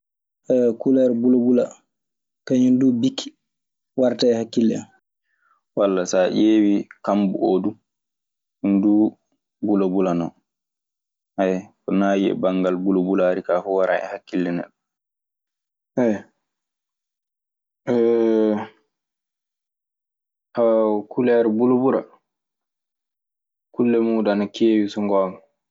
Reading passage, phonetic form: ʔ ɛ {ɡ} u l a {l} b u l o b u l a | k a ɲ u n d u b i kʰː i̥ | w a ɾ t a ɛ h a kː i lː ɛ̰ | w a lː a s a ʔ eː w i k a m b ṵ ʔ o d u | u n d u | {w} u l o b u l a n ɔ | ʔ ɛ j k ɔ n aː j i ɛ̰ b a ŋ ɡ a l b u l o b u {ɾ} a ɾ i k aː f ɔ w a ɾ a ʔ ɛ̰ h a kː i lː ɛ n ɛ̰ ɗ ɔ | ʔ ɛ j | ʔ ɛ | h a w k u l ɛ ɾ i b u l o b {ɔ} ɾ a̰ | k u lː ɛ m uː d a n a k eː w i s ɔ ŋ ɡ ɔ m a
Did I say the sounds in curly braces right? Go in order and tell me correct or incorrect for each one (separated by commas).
incorrect, incorrect, incorrect, incorrect, incorrect